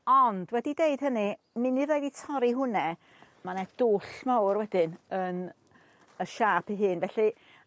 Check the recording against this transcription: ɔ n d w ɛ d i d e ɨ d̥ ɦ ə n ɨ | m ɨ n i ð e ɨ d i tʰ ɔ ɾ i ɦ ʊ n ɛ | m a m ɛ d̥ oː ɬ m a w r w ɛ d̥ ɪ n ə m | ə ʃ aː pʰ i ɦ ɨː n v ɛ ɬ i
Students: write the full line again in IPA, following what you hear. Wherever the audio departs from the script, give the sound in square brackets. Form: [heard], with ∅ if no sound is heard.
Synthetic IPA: ɔ n d w ɛ d i d e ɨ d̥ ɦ ə n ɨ | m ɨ n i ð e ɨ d i tʰ ɔ ɾ i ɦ ʊ n ɛ | m a [n] ɛ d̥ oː ɬ m a w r w ɛ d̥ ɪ n ə [n] | ə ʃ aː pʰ i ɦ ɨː n v ɛ ɬ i